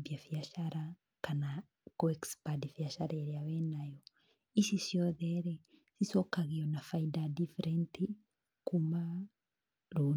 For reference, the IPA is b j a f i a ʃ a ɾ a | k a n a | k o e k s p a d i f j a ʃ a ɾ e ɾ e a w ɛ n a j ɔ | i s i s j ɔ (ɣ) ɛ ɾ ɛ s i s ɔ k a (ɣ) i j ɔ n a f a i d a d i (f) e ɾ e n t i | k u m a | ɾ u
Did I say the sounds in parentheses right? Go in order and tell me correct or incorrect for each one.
incorrect, correct, correct

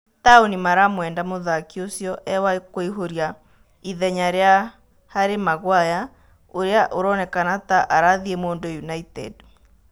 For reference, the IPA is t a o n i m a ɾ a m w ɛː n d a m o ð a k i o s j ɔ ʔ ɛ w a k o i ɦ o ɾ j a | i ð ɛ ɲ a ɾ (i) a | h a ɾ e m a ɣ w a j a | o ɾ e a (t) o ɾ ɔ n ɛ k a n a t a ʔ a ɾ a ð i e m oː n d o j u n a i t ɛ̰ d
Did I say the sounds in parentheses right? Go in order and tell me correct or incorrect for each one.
incorrect, incorrect

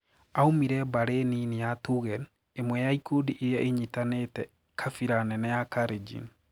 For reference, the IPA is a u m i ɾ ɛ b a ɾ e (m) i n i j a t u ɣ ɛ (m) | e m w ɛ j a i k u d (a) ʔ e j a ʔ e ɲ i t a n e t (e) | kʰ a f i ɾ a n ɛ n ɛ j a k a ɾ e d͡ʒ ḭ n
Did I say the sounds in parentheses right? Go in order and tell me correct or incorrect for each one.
incorrect, incorrect, incorrect, incorrect

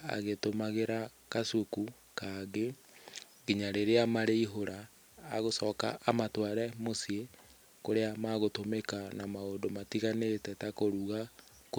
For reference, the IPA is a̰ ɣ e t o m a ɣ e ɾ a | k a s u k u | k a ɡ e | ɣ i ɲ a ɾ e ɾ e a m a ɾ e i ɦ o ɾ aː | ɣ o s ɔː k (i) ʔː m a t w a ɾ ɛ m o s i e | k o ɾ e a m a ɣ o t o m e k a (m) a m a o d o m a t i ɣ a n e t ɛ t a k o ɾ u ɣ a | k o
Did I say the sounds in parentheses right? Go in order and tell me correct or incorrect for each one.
incorrect, incorrect

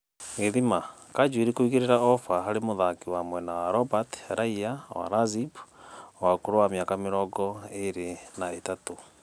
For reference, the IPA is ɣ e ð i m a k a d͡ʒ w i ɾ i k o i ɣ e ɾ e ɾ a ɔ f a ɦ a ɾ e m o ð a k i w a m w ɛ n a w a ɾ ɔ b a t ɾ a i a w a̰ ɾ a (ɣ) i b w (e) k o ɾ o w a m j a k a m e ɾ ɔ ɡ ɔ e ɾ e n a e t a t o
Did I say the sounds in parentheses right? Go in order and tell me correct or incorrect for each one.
incorrect, incorrect

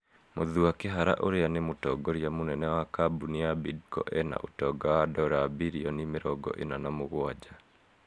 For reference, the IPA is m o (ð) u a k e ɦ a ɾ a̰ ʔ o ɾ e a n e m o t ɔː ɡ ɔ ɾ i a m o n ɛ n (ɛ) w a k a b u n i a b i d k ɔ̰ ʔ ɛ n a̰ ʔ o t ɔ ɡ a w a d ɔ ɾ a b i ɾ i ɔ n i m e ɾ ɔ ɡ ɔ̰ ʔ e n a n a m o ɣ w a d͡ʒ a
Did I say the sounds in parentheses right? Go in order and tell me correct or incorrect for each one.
correct, correct

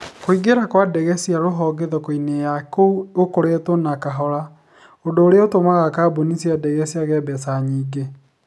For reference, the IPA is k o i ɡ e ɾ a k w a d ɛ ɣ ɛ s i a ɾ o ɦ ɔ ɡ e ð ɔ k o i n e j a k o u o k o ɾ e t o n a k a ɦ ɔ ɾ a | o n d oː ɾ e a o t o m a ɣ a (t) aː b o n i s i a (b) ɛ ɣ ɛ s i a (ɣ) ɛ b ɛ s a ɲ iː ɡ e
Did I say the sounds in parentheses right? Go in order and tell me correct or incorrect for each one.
incorrect, incorrect, correct

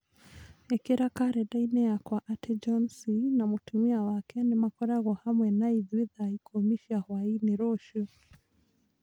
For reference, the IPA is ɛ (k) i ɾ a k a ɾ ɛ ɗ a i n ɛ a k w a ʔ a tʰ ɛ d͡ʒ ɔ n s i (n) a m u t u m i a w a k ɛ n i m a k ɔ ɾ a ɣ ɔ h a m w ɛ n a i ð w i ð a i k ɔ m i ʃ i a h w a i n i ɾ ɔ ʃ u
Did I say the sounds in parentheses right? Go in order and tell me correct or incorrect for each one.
correct, correct

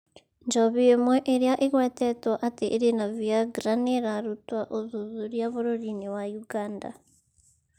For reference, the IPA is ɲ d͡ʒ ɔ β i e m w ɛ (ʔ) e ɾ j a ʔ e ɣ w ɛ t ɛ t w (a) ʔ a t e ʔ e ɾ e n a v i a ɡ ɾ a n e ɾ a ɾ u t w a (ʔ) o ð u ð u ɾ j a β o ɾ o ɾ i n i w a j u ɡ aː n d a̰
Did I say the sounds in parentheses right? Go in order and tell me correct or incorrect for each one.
correct, correct, correct

